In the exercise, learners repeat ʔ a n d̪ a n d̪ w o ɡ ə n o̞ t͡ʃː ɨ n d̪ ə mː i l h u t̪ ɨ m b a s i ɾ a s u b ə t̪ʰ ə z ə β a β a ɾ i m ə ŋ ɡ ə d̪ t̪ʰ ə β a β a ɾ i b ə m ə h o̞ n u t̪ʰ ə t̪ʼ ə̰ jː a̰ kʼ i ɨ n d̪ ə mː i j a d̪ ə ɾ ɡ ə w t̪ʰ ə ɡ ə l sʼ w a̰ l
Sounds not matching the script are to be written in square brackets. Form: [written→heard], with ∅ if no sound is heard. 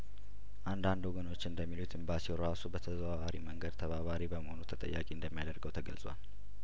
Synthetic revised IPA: ʔ a n d̪ a n d̪ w o ɡ ə n o̞ t͡ʃː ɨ n d̪ ə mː i l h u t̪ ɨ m b a s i ɾ a s u b ə t̪ʰ ə z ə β a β a ɾ i m ə ŋ ɡ ə d̪ t̪ʰ ə β a β a ɾ i b ə m ə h o̞ n u t̪ʰ ə t̪ʼ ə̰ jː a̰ kʼ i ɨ n d̪ ə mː i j a d̪ ə ɾ ɡ ə w t̪ʰ ə ɡ ə l sʼ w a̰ l